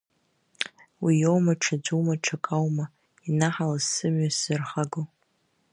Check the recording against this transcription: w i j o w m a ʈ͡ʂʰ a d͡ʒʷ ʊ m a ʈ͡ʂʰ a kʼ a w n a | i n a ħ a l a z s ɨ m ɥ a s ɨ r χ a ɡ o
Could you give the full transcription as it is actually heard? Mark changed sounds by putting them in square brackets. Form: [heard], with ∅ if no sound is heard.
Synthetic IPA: w i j o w m a ʈ͡ʂʰ a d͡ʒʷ [u] m a ʈ͡ʂʰ a kʼ a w [m] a | i n a ħ a l a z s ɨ m ɥ a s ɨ r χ a ɡ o